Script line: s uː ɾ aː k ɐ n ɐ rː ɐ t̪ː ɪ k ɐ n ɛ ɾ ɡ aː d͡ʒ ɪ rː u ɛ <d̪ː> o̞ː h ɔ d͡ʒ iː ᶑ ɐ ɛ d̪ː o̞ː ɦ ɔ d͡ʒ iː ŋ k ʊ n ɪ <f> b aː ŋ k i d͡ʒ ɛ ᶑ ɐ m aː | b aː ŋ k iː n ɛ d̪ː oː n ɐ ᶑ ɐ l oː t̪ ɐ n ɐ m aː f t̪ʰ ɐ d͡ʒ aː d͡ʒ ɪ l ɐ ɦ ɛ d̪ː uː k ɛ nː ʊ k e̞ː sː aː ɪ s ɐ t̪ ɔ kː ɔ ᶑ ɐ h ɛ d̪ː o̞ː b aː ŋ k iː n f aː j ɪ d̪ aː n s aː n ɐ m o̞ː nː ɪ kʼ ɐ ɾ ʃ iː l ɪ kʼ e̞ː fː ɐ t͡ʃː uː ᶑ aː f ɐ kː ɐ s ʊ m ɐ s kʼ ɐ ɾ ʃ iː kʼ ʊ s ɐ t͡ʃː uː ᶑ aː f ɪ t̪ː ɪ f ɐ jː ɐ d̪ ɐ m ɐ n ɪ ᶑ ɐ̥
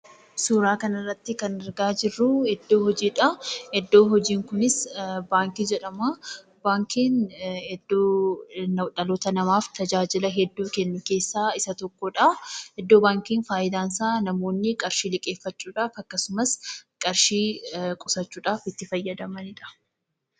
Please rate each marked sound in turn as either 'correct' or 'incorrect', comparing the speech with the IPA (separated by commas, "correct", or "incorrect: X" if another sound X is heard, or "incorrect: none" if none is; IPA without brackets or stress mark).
correct, incorrect: s